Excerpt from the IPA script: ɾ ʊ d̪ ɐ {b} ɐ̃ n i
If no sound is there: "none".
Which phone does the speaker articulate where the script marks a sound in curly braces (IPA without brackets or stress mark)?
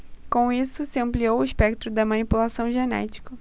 m